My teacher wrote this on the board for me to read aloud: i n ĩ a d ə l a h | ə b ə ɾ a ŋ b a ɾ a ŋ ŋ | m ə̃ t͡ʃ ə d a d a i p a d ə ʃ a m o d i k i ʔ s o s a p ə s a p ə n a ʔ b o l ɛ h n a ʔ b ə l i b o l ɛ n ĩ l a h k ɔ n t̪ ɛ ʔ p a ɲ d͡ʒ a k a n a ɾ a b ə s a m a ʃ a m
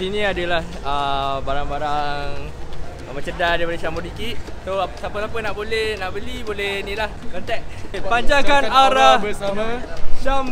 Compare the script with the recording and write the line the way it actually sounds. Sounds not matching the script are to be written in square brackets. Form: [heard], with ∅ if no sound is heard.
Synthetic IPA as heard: i n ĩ a d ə l a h | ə b [a] ɾ a ŋ b a ɾ a ŋ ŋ | m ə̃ t͡ʃ ə d a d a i p a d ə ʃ a m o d i k i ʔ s o s a p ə s a p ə n a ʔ b o l ɛ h n a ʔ b ə l i b o l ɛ n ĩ l a h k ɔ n t̪ ɛ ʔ p a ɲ d͡ʒ a k a n a ɾ a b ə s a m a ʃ a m

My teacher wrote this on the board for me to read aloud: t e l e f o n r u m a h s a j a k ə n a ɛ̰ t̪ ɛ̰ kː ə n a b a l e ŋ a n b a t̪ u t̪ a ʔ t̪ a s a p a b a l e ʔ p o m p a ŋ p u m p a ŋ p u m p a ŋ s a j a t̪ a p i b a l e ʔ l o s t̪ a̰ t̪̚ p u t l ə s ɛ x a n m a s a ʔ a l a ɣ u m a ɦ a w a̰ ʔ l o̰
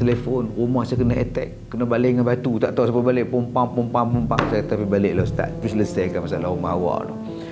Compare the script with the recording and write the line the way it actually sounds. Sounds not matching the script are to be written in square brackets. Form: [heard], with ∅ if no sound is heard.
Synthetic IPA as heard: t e l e f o n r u m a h s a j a k ə n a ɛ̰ t̪ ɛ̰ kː ə n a b a l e ŋ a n b a t̪ u t̪ a ʔ t̪ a s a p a b a l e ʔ p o m p a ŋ p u m p a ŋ p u m p a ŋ s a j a t̪ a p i b a l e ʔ l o s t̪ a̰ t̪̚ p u [s] l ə s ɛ [k] a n m a s a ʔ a l a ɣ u m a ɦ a w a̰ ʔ l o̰

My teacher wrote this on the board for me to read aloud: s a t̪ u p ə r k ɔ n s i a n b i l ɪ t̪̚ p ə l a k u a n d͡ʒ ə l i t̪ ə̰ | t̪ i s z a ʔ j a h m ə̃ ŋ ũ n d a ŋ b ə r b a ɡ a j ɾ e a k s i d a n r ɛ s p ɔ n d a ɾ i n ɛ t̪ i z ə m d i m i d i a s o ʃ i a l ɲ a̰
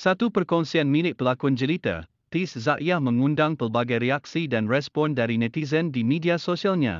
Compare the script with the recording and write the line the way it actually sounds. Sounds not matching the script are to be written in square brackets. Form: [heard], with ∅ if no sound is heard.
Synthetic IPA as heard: s a t̪ u p ə r k ɔ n s i a n [m] i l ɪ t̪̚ p ə l a k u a n d͡ʒ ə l i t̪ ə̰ | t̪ i s z a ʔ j a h m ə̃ ŋ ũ n d a ŋ [p] ə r b a ɡ a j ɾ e a k s i d a n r ɛ s p ɔ n d a ɾ i n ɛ t̪ i z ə [n] d i m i d i a s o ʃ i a l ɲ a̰

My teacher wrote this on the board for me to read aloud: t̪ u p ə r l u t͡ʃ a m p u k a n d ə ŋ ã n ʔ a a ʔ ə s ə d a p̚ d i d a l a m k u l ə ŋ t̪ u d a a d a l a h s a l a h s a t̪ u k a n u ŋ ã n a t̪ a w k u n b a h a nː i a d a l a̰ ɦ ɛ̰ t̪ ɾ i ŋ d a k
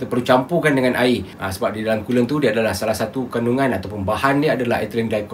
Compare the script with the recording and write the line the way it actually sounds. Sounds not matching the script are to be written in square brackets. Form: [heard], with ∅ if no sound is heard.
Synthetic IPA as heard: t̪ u p ə r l u t͡ʃ a m p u k a n d ə ŋ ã n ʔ a [i] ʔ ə s ə [b] a p̚ d i d a l a m k u l ə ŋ t̪ u d [i] a d a l a h s a l a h s a t̪ u k a n u ŋ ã n a t̪ a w [p] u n b a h a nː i a d a l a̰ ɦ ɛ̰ t̪ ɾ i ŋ d a k

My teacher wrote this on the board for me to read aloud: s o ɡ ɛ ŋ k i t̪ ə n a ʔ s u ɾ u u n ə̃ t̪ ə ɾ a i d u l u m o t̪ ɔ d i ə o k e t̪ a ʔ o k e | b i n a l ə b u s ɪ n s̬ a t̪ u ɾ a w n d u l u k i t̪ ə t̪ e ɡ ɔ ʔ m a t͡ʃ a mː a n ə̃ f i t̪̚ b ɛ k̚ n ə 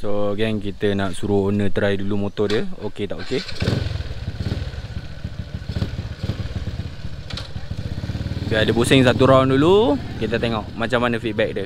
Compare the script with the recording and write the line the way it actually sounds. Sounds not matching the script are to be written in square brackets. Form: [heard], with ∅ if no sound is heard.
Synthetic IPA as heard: s o ɡ ɛ ŋ k i t̪ ə n a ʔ s u ɾ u [o] n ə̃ t̪ ə ɾ a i d u l u m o t̪ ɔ d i ə o k e t̪ a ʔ o k e | b i [∅] a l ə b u s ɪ [ŋ] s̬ a t̪ u ɾ a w n d u l u k i t̪ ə t̪ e [ŋ] ɔ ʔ m a t͡ʃ a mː a n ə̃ f i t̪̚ b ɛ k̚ [d] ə

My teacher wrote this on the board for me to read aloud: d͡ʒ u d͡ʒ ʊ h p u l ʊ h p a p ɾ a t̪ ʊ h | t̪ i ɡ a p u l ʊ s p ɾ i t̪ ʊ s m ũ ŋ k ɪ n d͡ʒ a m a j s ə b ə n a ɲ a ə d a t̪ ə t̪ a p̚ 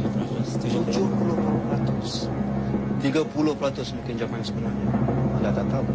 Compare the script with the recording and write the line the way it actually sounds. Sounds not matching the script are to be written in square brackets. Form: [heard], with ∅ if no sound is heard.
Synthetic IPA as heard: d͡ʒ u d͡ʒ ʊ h p u l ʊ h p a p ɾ a t̪ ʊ [s] | t̪ i ɡ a p u l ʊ [h] p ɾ [a] t̪ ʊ s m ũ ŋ k ɪ n d͡ʒ a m a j s ə b ə n a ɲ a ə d a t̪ [a] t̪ a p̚

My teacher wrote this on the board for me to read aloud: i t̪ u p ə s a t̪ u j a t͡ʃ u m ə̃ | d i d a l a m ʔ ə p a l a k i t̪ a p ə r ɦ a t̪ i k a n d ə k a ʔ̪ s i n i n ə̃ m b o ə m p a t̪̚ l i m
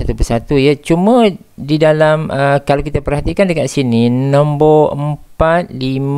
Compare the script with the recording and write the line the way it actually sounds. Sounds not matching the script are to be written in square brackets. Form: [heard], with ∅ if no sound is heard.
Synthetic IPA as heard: [a] t̪ u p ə s a t̪ u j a t͡ʃ u m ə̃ | d i d a l a m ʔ ə [k] a l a k i t̪ a p ə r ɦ a t̪ i k a n d ə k a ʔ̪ s i n i n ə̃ m b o ə m p a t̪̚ l i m

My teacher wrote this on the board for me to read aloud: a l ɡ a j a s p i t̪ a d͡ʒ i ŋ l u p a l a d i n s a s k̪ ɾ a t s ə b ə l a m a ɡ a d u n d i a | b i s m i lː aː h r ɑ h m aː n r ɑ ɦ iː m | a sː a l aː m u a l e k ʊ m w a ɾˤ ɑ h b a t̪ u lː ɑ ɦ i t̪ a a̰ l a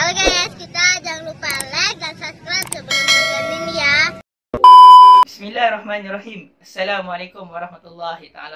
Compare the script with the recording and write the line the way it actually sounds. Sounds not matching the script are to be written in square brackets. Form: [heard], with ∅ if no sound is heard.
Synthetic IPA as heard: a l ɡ a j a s [k] i t̪ a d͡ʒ [a] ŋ l u p a l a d [a] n s a s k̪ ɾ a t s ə b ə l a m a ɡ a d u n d i a | b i s m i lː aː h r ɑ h m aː n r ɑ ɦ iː m | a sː a l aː m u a l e k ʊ m w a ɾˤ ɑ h [m] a t̪ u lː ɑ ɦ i t̪ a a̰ l a

